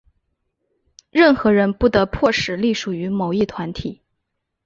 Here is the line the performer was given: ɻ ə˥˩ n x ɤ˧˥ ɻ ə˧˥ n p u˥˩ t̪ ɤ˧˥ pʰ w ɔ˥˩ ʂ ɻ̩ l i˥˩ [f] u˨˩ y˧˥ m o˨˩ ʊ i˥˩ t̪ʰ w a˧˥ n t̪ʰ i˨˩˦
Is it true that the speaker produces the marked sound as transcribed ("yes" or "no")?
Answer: no